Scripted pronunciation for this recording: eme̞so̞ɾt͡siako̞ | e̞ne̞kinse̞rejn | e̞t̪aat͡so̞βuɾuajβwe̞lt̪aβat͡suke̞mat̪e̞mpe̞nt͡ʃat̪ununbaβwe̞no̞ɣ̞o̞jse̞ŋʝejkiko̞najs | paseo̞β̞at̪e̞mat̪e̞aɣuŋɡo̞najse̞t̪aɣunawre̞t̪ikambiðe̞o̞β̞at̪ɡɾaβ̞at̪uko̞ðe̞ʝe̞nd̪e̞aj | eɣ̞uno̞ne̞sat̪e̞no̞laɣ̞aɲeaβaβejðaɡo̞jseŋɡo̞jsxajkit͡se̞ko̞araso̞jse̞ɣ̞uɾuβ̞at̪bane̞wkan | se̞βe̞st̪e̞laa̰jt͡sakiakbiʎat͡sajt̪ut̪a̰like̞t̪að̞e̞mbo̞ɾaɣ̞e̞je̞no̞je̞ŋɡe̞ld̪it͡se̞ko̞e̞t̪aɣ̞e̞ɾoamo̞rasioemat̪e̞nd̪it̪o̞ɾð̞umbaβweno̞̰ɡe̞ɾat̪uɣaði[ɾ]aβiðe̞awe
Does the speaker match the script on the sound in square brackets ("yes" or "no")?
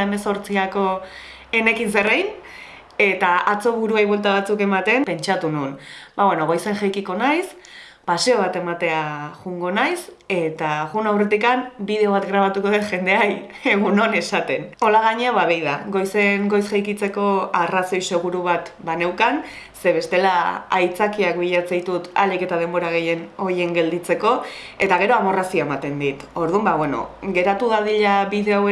no